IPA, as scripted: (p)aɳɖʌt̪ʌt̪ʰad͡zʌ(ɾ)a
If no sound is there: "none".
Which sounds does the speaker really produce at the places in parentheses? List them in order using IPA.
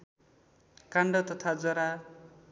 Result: k, ɾ

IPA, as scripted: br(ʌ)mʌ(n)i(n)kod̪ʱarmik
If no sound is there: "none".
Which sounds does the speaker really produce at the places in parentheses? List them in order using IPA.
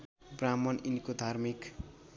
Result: a, n, n

